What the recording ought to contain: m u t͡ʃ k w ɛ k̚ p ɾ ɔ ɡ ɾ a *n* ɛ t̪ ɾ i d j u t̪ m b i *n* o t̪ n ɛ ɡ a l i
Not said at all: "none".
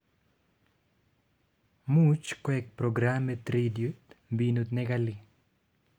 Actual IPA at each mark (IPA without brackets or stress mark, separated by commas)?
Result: m, n